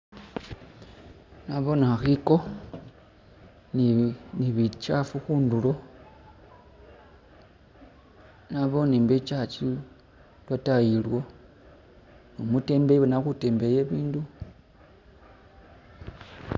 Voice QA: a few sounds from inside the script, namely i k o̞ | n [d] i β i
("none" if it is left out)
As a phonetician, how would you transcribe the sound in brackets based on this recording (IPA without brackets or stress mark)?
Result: n